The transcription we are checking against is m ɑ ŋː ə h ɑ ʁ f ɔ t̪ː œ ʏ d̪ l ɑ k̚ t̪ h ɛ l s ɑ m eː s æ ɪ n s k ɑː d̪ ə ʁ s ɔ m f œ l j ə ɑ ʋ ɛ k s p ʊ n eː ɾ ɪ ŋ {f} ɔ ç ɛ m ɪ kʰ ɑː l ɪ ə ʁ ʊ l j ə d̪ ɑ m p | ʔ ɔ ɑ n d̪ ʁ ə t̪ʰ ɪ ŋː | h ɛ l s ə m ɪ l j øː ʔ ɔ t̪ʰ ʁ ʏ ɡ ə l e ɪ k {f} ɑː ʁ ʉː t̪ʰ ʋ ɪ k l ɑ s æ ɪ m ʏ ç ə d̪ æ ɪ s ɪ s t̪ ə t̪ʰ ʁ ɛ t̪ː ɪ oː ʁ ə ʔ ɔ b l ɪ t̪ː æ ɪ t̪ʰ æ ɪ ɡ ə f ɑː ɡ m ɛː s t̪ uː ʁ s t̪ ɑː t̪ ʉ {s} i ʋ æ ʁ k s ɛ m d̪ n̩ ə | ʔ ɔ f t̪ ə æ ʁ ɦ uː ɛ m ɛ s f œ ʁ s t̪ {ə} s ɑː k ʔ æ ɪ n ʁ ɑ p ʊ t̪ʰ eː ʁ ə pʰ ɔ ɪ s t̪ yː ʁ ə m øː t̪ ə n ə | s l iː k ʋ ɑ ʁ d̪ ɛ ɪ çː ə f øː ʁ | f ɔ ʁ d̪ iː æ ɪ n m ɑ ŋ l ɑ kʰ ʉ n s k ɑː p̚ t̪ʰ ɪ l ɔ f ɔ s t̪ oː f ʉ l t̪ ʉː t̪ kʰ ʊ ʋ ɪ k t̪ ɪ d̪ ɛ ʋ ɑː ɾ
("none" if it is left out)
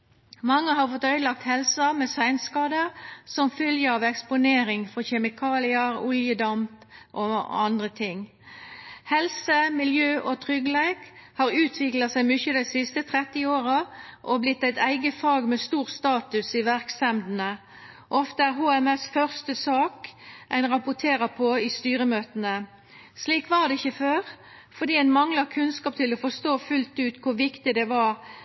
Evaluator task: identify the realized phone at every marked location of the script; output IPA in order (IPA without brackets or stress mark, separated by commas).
f, h, s, ə